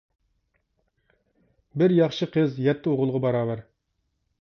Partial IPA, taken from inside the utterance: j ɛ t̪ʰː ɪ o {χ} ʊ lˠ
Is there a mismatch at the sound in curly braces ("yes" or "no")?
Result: yes